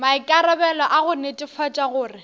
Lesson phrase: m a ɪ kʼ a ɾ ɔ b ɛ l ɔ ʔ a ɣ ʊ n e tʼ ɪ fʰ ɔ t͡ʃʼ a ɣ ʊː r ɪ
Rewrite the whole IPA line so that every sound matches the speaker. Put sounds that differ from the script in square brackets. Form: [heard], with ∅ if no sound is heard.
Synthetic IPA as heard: m a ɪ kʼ a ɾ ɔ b ɛ l ɔ ʔ a ɣ ʊ n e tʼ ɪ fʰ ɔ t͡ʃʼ a ɣ ʊː r ɪ